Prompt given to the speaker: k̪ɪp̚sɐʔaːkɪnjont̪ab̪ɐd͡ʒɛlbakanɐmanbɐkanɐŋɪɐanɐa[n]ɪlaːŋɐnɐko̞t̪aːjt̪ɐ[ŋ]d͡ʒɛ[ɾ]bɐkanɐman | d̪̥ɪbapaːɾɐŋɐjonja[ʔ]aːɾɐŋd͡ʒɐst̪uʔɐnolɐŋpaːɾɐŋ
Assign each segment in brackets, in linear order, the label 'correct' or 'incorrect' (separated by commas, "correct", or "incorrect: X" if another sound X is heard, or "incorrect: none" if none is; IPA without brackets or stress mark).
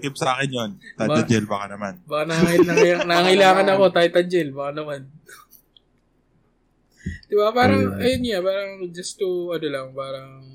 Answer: incorrect: ŋ, incorrect: none, incorrect: l, incorrect: p